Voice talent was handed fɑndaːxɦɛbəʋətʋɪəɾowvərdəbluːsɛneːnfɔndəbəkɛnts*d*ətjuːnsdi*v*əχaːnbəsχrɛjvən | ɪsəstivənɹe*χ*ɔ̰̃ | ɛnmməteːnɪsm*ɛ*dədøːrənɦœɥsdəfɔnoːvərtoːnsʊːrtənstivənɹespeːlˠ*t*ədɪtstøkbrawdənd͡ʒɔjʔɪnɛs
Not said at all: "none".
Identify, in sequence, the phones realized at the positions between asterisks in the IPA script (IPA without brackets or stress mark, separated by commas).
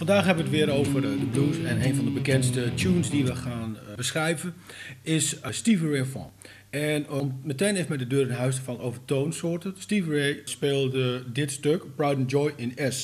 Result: t, ʋ, f, ɛ, d